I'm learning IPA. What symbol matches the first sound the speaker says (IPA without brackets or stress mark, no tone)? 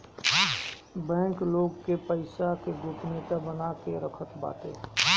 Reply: b